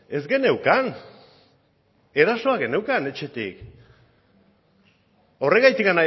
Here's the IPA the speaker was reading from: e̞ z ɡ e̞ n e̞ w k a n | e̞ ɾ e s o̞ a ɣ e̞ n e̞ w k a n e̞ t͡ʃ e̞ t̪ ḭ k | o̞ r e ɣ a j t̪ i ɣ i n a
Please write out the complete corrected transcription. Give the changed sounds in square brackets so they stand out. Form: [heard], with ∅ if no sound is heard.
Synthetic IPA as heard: e̞ z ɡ e̞ n e̞ w k a n | e̞ ɾ [a] s o̞ a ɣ e̞ n e̞ w k a n e̞ t͡ʃ e̞ t̪ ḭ k | o̞ r e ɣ a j t̪ i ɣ [a] n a